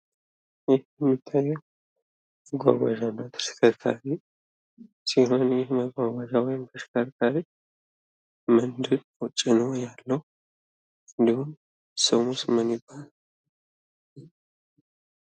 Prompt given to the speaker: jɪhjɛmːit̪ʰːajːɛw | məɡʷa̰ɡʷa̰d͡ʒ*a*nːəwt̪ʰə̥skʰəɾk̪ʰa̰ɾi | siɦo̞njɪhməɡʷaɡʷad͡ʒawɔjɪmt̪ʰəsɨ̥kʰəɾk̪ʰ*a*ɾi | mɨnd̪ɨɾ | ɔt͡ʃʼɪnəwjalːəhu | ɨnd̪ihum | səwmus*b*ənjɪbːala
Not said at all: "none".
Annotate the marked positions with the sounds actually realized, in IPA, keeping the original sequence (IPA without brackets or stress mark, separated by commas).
a, a, m